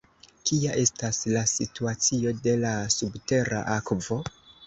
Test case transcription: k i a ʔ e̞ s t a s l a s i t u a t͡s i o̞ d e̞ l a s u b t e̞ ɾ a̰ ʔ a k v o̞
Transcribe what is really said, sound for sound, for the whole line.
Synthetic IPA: k i a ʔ e̞ s t a s l a s i t u a t͡s i o̞ d e̞ l a s u b t e̞ ɾ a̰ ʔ a k v o̞